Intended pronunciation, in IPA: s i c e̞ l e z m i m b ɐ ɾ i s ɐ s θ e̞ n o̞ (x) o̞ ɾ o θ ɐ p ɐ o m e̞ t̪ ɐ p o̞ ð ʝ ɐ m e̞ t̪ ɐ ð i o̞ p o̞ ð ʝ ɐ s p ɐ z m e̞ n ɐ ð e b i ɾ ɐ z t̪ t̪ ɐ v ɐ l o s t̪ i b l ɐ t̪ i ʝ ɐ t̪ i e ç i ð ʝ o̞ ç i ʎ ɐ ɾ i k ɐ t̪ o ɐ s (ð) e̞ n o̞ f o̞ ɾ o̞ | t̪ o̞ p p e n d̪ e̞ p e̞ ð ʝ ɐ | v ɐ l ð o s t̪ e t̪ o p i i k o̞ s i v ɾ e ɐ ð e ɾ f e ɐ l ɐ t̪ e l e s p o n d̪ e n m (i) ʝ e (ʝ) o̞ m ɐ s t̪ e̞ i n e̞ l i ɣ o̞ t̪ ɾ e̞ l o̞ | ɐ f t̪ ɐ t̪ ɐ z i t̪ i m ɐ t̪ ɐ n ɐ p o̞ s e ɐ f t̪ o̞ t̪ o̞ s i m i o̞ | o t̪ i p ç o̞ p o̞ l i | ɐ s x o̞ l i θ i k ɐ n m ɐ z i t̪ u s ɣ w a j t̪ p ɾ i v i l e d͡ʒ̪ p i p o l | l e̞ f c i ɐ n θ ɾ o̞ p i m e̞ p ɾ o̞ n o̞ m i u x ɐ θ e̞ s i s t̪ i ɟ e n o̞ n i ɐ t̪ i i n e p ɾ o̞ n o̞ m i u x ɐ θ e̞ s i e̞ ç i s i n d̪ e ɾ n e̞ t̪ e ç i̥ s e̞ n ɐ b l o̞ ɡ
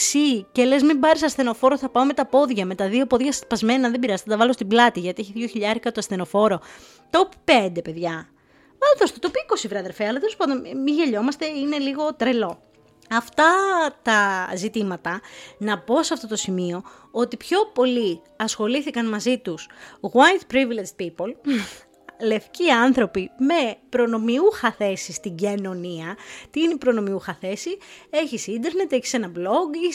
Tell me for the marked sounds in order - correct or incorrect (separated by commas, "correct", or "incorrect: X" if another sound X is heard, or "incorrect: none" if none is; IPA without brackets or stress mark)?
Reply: incorrect: f, incorrect: θ, correct, incorrect: ʎ